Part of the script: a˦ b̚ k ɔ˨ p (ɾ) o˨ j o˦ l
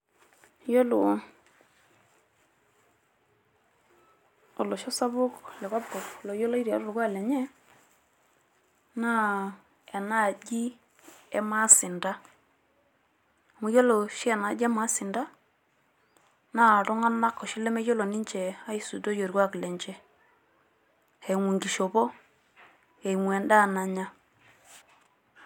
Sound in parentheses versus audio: incorrect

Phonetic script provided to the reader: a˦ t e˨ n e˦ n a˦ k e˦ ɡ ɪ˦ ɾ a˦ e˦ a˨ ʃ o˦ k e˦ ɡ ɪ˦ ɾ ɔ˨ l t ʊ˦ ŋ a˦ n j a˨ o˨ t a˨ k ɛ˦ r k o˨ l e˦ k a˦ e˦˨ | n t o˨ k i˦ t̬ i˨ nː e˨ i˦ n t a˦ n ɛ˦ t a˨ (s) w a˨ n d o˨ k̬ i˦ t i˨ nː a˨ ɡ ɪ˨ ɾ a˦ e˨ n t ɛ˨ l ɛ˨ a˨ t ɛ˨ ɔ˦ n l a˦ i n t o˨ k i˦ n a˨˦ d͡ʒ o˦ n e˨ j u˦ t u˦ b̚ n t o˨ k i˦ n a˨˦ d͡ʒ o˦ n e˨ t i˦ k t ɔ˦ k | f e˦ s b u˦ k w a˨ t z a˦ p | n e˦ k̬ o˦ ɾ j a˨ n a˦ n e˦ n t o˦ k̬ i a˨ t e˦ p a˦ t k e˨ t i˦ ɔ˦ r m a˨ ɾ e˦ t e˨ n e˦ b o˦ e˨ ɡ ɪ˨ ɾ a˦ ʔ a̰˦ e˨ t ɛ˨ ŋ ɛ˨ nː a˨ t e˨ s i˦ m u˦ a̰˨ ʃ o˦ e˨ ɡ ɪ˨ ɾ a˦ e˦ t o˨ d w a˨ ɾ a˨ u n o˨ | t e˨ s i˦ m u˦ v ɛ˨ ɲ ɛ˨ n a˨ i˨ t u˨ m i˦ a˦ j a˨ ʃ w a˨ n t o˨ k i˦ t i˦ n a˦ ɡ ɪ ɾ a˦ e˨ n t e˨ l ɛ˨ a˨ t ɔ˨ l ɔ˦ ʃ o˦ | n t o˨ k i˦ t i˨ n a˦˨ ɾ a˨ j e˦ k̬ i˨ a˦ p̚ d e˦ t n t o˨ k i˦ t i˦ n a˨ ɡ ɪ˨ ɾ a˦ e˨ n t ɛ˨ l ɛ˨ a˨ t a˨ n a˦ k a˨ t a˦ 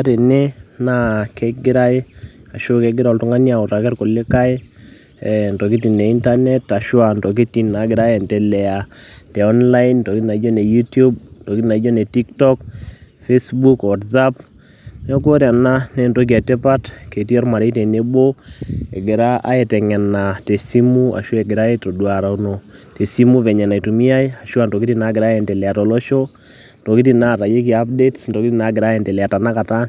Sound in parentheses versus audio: incorrect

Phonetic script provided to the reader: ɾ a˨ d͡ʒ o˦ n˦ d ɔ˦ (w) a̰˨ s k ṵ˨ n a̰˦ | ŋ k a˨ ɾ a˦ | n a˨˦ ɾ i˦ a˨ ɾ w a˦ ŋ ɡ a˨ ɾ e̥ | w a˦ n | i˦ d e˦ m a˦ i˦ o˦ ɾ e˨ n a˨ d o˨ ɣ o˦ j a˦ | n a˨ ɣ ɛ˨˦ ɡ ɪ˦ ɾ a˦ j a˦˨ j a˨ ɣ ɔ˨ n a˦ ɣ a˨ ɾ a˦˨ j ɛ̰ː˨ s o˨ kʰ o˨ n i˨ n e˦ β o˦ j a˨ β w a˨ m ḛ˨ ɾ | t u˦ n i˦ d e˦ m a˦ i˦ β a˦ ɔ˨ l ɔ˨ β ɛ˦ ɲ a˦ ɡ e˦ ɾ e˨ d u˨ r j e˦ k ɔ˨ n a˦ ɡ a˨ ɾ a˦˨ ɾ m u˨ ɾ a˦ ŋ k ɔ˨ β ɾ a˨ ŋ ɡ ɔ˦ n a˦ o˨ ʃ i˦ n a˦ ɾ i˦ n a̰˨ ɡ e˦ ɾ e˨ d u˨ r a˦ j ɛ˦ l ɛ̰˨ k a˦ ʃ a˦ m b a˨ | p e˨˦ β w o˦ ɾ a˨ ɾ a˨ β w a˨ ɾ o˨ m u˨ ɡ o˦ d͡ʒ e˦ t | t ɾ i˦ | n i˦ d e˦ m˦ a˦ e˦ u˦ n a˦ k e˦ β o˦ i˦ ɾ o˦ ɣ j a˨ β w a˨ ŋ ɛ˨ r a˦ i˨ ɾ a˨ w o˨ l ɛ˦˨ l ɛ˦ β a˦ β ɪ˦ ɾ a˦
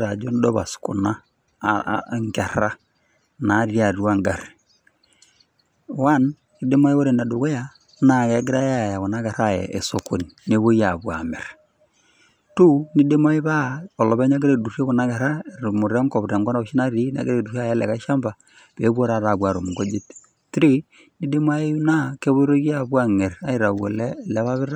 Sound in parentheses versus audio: incorrect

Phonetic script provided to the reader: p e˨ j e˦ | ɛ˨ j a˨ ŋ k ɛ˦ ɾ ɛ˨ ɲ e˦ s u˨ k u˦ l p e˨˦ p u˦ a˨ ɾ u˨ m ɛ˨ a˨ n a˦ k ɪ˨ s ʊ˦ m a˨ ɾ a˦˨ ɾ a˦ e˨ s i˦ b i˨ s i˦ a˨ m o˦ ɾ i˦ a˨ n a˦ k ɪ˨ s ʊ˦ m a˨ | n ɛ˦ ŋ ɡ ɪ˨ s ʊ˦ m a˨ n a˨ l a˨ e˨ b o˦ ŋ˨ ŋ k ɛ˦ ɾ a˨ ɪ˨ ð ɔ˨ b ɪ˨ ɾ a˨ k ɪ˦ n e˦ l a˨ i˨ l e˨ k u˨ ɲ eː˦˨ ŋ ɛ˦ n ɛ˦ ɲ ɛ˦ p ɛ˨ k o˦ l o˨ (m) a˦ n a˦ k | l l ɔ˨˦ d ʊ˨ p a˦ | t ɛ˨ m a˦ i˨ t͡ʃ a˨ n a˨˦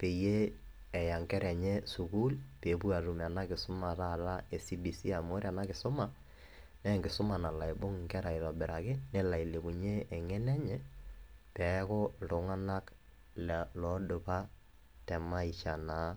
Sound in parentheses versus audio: incorrect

